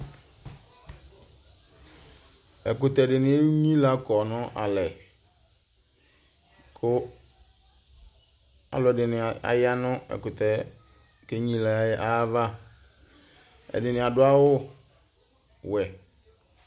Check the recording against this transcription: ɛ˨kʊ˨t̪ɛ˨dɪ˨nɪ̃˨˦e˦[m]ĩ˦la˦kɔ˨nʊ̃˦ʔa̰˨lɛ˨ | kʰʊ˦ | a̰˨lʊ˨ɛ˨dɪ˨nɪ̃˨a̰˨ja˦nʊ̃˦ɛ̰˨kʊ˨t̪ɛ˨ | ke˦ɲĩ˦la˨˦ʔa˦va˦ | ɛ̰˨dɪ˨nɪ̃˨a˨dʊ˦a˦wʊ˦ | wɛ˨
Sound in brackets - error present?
yes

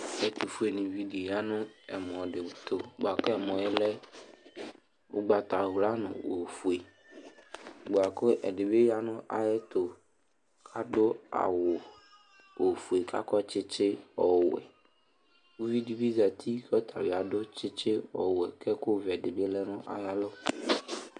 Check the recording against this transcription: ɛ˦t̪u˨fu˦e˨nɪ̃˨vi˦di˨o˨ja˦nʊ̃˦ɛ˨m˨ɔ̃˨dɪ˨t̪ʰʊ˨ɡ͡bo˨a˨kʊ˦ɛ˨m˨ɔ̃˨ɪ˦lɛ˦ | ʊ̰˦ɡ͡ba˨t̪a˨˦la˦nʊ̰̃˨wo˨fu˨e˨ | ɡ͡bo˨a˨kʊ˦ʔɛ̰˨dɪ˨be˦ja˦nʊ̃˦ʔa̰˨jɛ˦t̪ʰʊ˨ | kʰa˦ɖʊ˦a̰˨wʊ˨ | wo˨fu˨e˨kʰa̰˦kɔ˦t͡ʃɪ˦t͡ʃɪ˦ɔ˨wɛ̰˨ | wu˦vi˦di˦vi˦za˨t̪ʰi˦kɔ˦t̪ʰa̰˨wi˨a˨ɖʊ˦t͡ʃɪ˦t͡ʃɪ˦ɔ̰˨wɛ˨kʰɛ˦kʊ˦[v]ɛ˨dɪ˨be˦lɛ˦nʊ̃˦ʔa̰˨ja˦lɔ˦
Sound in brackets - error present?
no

